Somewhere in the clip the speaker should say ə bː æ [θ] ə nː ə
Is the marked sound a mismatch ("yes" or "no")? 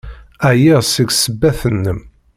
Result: no